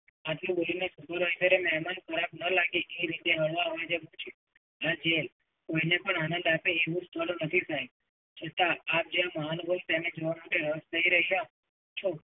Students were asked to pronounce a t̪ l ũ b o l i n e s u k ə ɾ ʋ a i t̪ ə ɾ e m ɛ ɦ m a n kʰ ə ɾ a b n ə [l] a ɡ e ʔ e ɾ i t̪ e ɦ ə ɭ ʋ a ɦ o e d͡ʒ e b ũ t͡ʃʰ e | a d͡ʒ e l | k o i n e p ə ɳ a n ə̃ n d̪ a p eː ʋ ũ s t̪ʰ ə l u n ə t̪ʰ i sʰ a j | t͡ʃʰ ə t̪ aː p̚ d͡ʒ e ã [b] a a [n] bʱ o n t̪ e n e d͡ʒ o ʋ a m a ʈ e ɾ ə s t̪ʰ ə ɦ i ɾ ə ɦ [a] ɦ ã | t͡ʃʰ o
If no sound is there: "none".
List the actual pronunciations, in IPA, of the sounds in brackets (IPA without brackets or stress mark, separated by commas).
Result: l, m, n, i